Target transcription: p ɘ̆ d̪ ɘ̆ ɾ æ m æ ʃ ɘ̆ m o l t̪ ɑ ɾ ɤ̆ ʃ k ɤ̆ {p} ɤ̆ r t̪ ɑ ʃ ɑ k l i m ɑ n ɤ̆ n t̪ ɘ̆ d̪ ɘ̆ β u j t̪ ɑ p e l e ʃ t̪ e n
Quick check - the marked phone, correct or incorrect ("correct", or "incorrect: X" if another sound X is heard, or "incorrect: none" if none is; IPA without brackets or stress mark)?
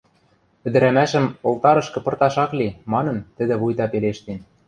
correct